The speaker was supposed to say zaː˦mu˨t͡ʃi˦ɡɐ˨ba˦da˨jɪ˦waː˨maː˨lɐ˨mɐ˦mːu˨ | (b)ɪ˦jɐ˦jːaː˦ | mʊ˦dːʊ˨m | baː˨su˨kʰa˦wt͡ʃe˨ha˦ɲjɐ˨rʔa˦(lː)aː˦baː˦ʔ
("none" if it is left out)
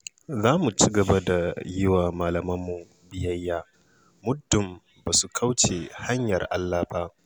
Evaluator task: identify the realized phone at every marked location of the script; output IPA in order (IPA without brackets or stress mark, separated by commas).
b, lː